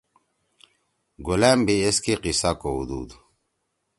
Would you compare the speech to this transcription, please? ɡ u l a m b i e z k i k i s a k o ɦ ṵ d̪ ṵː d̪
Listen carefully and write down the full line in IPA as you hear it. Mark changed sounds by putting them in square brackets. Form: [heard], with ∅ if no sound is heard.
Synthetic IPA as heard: ɡ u l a m b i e [s] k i [q] i s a k o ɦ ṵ d̪ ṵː d̪